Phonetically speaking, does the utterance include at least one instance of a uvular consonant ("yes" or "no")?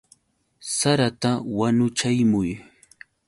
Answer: no